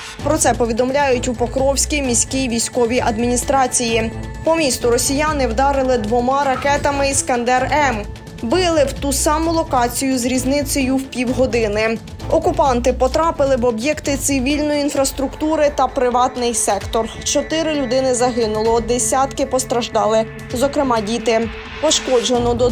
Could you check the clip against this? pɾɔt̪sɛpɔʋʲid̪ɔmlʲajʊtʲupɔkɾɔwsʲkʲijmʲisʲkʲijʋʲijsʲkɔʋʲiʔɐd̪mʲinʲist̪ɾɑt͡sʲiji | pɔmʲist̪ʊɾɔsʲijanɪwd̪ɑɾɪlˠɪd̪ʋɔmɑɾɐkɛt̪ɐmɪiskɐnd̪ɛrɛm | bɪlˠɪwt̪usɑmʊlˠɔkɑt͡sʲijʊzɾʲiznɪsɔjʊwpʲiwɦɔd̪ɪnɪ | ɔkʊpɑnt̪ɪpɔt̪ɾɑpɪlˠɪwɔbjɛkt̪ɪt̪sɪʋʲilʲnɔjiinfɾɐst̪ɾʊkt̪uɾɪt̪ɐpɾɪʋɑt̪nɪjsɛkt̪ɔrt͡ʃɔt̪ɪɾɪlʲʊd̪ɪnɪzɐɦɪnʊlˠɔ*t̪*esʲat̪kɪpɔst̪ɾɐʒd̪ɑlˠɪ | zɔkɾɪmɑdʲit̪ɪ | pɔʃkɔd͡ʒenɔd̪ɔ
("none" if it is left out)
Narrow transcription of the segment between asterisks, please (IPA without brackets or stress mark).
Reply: d̪